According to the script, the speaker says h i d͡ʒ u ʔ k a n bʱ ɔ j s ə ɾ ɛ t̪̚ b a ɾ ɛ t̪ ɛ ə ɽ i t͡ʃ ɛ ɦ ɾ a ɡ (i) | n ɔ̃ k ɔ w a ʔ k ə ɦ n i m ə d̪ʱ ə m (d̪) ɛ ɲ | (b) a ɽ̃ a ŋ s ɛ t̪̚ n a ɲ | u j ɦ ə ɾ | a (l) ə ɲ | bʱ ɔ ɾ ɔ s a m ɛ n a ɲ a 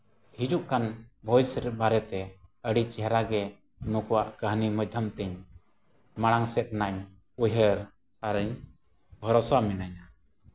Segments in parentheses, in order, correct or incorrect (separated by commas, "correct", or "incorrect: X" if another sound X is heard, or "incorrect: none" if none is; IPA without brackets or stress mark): incorrect: ɛ, incorrect: t̪, incorrect: m, incorrect: ɾ